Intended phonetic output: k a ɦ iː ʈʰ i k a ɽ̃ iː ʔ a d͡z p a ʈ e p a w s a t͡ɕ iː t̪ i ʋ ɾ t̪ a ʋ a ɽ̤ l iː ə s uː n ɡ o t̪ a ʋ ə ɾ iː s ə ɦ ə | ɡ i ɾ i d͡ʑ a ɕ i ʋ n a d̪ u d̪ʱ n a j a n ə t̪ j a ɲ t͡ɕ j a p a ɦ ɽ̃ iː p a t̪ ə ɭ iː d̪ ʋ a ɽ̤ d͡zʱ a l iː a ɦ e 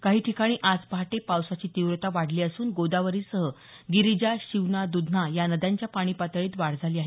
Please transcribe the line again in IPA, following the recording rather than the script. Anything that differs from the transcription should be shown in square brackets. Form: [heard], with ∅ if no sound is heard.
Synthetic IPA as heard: k a ɦ iː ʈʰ i k a ɽ̃ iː ʔ a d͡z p a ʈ e p a w s a t͡ɕ iː t̪ i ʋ ɾ t̪ a ʋ a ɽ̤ l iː ə s uː n ɡ o [d̪] a ʋ ə ɾ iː s ə ɦ ə | ɡ i ɾ i d͡ʑ a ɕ i ʋ n a d̪ u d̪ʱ n a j a n ə [d̪] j a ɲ t͡ɕ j a p a [∅] ɽ̃ iː p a t̪ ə ɭ iː [t̪] ʋ a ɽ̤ d͡zʱ a l iː a ɦ e